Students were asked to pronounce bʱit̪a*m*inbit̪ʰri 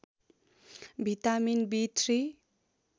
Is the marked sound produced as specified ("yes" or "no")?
yes